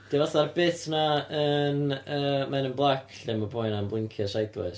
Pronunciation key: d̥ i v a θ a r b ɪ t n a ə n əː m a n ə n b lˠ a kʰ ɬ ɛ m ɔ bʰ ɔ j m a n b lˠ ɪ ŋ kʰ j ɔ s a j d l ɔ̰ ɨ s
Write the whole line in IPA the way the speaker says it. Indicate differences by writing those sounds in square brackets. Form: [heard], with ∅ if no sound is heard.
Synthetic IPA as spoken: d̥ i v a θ a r b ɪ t n a ə n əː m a n ə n b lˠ a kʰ ɬ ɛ m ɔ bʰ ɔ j [n] a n b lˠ ɪ ŋ kʰ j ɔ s a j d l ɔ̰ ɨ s